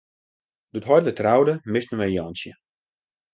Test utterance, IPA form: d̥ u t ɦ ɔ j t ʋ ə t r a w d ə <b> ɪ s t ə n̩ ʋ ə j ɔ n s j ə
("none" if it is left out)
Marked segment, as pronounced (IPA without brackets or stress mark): m